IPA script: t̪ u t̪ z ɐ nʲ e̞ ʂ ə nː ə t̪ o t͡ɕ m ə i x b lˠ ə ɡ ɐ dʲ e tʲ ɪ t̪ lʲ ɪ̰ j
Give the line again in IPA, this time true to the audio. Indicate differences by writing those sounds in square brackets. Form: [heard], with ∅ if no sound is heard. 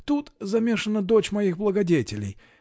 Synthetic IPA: t̪ u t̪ z ɐ [mʲ] e̞ ʂ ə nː ə [d̪] o t͡ɕ m [ɐ] i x b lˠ ə ɡ ɐ dʲ e tʲ ɪ [∅] lʲ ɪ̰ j